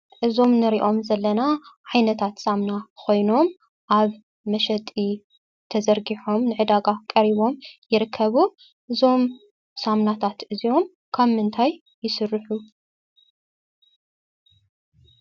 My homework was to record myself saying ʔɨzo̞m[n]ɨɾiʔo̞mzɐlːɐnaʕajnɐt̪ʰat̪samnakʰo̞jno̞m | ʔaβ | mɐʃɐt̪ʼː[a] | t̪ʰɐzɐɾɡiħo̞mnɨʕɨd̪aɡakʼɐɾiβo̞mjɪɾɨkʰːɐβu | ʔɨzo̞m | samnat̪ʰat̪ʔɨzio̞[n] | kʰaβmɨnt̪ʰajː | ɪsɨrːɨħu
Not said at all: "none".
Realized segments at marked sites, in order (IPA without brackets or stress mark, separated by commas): n, i, m